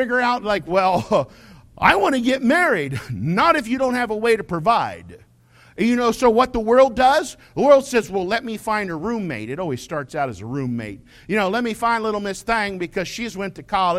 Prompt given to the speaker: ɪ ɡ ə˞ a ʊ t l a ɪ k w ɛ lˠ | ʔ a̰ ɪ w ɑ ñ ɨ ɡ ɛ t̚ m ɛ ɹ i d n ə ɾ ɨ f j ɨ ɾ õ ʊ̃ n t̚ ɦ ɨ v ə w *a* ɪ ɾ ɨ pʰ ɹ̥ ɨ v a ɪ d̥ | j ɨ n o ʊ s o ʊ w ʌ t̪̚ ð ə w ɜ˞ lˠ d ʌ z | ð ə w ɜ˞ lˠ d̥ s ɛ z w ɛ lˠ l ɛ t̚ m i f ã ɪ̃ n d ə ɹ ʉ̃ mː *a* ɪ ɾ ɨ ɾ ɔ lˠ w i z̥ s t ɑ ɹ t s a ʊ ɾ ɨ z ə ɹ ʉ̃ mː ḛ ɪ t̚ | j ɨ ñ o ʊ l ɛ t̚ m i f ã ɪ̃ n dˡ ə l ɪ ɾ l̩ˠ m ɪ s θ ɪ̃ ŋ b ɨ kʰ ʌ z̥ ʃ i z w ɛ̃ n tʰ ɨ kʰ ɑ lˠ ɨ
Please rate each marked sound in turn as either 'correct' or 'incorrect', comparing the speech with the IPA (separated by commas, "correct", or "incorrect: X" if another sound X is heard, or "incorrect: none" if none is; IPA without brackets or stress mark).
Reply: incorrect: e, incorrect: e